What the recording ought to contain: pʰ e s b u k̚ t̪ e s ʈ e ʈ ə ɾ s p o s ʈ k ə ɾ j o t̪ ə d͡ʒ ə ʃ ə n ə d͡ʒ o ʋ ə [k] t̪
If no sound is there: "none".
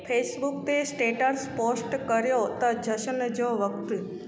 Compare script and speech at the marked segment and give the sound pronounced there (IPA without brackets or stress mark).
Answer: k